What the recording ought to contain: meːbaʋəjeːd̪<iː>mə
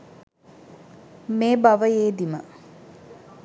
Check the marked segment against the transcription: incorrect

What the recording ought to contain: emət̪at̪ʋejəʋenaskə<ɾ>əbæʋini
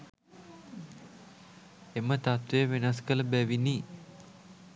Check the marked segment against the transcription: incorrect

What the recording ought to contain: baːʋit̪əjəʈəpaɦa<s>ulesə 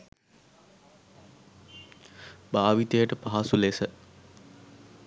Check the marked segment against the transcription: correct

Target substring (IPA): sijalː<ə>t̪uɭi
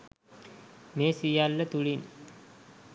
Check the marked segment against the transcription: correct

